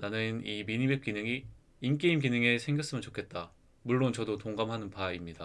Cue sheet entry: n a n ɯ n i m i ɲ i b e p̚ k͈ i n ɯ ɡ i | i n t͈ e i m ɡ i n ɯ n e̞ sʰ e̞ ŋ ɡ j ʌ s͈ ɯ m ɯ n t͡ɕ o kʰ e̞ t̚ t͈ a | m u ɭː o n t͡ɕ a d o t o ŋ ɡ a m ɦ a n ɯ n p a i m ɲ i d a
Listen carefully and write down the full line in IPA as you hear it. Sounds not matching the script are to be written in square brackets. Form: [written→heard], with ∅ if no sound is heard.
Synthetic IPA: n a n ɯ n i m i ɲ i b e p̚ k͈ i n ɯ [ɡ→ŋ] i | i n [t͈→k͈] e i m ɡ i n ɯ [n→ŋ] e̞ sʰ e̞ ŋ ɡ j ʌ s͈ ɯ m ɯ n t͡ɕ o kʰ e̞ t̚ t͈ a | m u ɭː o n t͡ɕ [a→ʌ] d o t o ŋ ɡ a m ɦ a n ɯ n p a i m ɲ i d a